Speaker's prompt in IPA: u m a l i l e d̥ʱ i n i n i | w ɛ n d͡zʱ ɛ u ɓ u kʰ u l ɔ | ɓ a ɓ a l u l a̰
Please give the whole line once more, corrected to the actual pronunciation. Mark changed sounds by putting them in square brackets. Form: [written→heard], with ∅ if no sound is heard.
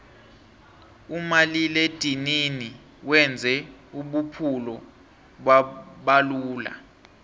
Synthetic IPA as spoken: u m a l i l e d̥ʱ i n i n i | w ɛ n d͡zʱ ɛ u ɓ u [kʰ→pʰ] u l ɔ | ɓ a ɓ a l [u→uː] l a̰